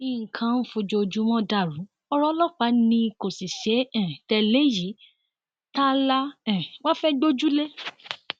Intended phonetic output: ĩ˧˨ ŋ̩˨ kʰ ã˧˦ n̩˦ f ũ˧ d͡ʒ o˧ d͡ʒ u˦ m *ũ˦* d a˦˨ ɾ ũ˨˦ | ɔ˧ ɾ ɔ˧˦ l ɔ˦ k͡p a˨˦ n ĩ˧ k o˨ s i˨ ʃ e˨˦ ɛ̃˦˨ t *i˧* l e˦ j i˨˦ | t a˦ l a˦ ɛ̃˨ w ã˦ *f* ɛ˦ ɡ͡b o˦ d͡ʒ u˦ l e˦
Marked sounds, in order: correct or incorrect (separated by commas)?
incorrect, incorrect, correct